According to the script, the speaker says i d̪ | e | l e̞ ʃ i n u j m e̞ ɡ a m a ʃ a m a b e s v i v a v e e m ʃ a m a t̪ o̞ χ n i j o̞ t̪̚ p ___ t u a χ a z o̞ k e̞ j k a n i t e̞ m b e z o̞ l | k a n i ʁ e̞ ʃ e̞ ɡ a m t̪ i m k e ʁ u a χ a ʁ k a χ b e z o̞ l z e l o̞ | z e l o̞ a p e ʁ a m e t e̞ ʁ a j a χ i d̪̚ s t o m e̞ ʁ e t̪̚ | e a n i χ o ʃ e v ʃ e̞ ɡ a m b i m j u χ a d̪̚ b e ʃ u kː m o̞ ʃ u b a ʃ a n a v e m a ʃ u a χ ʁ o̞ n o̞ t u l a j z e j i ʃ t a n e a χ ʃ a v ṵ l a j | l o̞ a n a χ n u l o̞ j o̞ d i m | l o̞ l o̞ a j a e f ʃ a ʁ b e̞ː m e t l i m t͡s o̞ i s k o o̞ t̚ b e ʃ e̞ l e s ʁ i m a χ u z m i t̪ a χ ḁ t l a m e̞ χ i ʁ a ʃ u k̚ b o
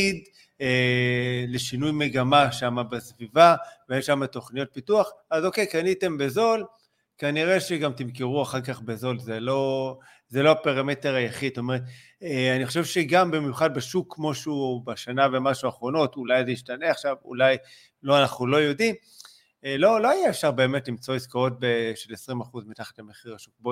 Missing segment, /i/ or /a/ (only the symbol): i